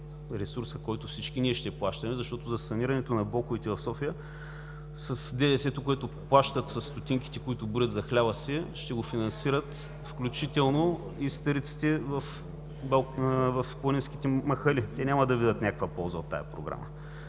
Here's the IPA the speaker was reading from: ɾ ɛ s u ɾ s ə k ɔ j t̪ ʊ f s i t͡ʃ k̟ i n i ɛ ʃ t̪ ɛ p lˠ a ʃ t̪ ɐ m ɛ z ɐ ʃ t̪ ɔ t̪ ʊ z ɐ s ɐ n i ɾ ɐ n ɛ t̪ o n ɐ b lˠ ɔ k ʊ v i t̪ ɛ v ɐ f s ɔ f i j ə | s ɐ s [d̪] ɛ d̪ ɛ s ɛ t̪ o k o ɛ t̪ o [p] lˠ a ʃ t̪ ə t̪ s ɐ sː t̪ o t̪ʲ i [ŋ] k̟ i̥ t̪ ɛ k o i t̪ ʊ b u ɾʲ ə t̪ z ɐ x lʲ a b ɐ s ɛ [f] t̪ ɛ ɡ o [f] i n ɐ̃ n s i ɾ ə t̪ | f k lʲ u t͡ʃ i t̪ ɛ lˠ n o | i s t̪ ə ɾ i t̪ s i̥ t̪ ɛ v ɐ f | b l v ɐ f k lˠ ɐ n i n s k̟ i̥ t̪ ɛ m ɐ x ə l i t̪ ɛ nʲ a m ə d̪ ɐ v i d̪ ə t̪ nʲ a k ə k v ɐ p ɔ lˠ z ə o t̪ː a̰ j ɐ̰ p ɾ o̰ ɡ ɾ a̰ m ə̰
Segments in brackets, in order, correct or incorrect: correct, correct, correct, incorrect: ʃ, correct

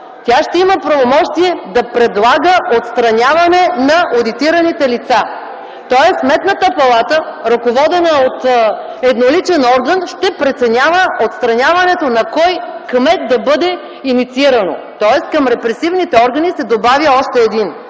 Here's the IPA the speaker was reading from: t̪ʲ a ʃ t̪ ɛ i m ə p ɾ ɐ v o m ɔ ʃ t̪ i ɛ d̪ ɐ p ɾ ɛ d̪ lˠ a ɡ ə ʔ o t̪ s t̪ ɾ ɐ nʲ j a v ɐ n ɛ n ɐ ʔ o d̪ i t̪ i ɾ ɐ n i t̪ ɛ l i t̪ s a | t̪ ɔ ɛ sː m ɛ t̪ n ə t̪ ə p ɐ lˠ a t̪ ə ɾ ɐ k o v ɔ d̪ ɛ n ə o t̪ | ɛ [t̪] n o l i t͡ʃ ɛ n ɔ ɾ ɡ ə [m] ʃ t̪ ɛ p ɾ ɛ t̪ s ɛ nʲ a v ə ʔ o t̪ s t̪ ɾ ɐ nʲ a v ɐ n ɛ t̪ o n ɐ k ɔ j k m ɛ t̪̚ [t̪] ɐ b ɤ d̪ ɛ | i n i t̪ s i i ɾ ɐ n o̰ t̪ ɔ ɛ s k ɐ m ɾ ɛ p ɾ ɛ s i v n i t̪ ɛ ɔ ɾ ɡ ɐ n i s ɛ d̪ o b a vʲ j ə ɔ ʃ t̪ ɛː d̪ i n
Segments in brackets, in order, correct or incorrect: incorrect: d̪, incorrect: n, incorrect: d̪

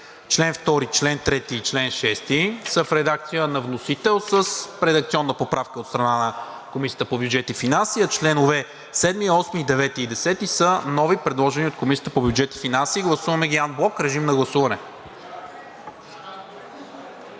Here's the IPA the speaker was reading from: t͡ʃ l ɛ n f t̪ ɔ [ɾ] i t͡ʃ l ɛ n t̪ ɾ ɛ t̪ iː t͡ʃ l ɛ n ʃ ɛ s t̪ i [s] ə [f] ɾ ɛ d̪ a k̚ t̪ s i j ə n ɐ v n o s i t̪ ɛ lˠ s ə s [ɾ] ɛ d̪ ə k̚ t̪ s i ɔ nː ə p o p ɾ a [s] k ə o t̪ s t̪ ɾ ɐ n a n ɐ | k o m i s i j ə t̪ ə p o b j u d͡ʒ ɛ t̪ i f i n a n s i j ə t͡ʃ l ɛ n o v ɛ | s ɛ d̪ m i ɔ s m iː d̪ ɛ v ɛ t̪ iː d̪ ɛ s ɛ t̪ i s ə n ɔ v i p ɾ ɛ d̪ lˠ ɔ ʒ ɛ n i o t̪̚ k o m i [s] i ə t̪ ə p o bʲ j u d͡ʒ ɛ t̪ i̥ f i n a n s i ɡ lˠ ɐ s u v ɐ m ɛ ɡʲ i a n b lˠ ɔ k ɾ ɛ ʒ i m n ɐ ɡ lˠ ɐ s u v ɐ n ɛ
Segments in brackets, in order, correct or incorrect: correct, correct, correct, correct, incorrect: f, correct

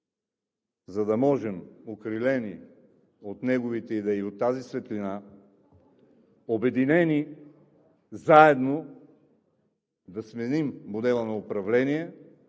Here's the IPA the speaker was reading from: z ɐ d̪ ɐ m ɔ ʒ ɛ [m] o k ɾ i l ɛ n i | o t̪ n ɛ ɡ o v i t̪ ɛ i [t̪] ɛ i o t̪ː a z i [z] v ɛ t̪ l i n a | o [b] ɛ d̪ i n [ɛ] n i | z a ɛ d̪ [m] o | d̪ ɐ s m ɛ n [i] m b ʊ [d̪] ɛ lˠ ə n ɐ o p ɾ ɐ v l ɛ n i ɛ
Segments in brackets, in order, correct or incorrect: correct, incorrect: d̪, incorrect: s, correct, correct, incorrect: n, correct, correct

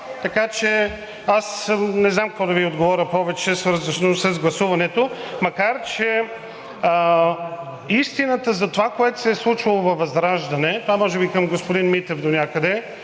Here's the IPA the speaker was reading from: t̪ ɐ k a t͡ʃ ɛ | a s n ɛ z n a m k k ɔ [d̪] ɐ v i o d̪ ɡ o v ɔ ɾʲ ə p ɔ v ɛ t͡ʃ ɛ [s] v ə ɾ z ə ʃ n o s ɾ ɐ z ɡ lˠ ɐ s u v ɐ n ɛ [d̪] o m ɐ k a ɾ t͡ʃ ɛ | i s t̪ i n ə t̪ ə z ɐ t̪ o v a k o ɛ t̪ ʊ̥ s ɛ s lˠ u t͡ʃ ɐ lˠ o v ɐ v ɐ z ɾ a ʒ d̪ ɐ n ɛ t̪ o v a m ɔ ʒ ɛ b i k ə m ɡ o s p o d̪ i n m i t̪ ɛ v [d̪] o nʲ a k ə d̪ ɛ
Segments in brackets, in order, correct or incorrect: correct, correct, incorrect: t̪, correct

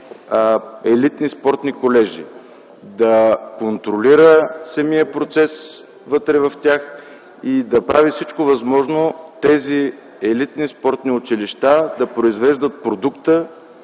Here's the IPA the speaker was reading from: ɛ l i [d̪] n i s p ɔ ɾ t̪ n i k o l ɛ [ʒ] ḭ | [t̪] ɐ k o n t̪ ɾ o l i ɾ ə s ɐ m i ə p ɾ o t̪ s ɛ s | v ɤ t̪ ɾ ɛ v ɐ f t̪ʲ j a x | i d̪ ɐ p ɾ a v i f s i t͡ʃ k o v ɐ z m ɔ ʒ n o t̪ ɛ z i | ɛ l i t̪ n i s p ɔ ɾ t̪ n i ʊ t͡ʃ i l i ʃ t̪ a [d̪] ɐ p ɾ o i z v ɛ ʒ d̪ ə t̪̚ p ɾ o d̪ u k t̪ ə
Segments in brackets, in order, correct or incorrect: incorrect: t̪, correct, incorrect: d̪, correct

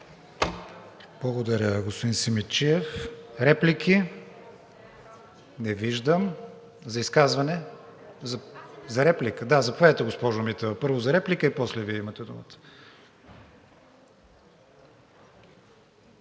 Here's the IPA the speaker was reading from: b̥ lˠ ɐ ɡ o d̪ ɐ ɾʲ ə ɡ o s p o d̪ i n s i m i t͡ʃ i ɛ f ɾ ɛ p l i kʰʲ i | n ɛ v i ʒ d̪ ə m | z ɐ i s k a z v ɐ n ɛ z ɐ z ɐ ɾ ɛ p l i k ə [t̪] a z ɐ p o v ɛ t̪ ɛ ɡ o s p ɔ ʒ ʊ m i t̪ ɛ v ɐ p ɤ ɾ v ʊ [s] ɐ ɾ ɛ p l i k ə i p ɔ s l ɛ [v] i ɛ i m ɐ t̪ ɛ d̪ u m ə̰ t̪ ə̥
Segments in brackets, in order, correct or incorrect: incorrect: d̪, incorrect: z, correct

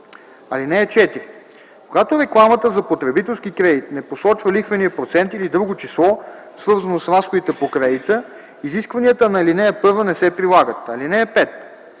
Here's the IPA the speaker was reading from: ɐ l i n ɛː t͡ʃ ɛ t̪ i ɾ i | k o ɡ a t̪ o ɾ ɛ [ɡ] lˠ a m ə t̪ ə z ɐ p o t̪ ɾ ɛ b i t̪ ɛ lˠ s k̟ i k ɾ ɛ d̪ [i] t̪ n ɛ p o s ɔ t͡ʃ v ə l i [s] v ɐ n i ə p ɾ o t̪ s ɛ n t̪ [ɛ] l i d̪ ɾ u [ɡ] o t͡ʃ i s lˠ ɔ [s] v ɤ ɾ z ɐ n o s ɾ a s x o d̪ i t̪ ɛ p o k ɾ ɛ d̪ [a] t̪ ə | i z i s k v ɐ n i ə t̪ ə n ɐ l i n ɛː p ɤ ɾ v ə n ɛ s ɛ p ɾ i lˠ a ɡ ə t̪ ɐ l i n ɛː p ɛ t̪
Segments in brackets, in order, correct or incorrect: incorrect: k, correct, incorrect: x, incorrect: i, correct, correct, incorrect: i

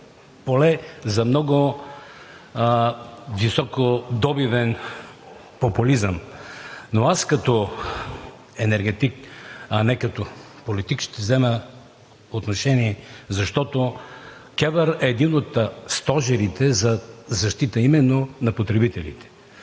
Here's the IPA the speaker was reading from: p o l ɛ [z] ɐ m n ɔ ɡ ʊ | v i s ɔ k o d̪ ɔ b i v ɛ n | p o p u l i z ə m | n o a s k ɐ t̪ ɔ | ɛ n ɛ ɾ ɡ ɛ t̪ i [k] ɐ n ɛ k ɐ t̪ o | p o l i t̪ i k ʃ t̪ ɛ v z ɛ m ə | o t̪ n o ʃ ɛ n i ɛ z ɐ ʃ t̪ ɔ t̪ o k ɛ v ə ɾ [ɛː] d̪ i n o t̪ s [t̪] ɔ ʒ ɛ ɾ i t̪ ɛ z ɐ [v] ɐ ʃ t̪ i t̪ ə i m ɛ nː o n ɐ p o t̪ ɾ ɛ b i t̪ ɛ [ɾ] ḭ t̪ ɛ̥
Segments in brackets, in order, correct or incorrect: correct, correct, correct, correct, incorrect: z, incorrect: l

